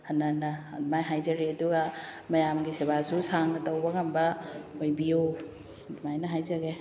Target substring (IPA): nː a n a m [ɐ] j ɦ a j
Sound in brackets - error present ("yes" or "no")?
yes